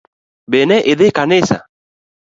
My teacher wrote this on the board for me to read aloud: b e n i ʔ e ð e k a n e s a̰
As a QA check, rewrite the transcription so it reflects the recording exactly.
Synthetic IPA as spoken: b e n ɛ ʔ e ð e k a n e s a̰

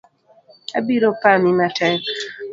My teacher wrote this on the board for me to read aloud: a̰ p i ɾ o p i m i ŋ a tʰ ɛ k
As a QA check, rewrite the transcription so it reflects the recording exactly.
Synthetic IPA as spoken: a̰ b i ɾ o p a m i m a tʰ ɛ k

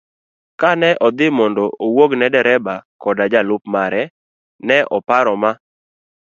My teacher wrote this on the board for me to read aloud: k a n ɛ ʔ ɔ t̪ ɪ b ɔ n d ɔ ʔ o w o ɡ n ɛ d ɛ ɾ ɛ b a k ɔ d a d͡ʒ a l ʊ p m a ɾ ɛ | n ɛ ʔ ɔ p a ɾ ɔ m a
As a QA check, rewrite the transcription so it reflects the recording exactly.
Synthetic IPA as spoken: k a n ɛ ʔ ɔ d̪ ɪ m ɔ n d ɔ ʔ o w o ɡ n ɛ d ɛ ɾ ɛ b a k ɔ d a d͡ʒ a l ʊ p m a ɾ ɛ | n ɛ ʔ ɔ p a ɾ ɔ m a

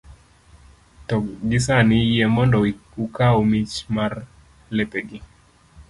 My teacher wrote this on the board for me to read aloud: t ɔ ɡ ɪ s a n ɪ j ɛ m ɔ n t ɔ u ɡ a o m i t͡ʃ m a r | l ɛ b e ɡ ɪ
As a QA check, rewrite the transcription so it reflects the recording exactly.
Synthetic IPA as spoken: t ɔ ɡ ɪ s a n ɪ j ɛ m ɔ n d ɔ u k a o m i t͡ʃ m a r | l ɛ p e ɡ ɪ

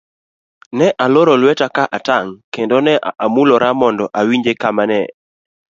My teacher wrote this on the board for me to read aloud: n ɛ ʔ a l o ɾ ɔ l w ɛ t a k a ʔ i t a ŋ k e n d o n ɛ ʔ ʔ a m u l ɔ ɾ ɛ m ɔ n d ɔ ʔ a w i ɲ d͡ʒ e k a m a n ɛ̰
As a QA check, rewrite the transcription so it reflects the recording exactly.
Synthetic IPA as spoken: n ɛ ʔ a l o ɾ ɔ l w ɛ t a k a ʔ a t a ŋ k e n d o n ɛ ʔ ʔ a m u l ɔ ɾ a m ɔ n d ɔ ʔ a w i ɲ d͡ʒ e k a m a n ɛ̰

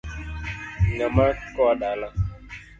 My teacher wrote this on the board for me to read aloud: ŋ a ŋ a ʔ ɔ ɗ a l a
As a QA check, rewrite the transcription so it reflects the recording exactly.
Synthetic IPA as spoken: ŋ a m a k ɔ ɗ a l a

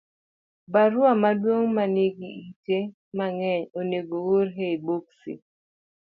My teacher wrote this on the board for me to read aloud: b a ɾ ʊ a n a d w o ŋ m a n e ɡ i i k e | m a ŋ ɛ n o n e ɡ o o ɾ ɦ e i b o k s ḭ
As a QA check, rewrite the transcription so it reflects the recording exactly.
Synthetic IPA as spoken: b a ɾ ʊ a m a d w o ŋ m a n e ɡ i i t e | m a ŋ ɛ ɲ o n e ɡ o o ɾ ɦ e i b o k s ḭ

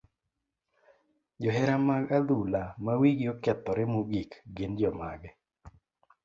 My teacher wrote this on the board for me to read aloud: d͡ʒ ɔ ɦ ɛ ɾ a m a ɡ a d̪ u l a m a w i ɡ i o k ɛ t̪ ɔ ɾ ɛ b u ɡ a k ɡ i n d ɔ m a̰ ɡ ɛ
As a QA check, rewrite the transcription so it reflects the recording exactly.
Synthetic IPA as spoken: d͡ʒ ɔ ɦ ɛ ɾ a m a ɡ a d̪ u l a m a w i ɡ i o k ɛ t̪ ɔ ɾ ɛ m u ɡ i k ɡ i n d͡ʒ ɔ m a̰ ɡ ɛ

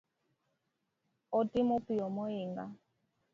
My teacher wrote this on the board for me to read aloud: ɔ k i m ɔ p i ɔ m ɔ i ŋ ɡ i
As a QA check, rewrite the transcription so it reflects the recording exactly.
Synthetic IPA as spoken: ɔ t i m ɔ p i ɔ m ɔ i ŋ ɡ a

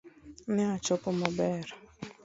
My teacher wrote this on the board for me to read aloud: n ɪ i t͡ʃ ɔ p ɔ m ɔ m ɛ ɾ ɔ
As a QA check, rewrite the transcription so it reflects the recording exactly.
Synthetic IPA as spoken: n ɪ a t͡ʃ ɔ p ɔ m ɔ b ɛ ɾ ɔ

